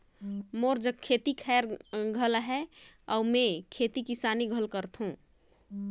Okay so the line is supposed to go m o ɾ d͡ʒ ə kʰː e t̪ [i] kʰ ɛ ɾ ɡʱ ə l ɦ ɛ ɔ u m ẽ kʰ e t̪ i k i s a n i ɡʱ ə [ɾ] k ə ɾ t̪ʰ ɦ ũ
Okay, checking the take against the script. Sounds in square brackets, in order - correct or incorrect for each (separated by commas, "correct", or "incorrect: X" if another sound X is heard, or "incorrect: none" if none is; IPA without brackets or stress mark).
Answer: correct, incorrect: l